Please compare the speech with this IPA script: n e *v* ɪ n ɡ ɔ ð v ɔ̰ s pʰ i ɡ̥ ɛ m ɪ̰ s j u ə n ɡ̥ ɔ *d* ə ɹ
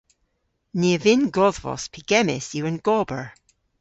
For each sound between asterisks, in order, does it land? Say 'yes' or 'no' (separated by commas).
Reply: yes, no